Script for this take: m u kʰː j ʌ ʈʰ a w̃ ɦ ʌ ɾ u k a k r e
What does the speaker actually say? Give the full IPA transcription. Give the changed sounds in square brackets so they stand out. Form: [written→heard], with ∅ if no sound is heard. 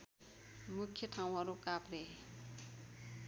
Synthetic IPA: m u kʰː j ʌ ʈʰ a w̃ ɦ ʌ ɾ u k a [k→p] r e